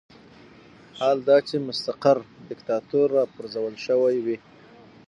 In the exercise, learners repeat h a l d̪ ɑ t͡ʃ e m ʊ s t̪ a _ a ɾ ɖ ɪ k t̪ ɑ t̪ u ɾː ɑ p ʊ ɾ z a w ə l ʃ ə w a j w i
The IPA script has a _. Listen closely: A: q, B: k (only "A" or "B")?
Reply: A